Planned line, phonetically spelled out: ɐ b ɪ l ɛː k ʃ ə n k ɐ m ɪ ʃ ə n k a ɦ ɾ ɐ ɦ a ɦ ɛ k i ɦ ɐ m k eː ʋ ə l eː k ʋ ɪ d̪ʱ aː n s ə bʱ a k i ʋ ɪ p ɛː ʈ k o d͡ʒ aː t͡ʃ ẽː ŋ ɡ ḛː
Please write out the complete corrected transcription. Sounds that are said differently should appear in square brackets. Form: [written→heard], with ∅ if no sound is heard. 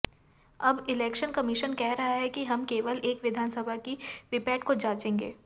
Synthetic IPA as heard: ɐ b ɪ l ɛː k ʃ ə n k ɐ m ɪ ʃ ə n k [a→ɛ] ɦ ɾ ɐ ɦ a ɦ ɛ k i ɦ ɐ m k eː ʋ ə l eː k ʋ ɪ d̪ʱ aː n s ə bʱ a k i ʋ ɪ p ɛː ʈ k o d͡ʒ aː t͡ʃ ẽː ŋ ɡ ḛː